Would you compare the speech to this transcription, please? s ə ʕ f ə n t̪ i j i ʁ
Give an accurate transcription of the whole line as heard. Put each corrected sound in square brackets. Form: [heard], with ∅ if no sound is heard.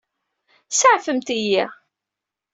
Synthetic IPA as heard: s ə ʕ f ə [m] t̪ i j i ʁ